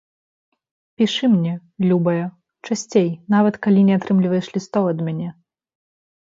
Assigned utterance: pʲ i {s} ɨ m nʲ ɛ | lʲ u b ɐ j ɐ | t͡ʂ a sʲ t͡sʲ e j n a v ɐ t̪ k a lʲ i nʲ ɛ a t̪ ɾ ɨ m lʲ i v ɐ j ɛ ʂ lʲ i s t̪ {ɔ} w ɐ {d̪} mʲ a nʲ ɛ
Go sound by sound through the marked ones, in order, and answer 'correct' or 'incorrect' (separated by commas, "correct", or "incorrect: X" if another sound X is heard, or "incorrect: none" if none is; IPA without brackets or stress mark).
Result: incorrect: ʂ, correct, correct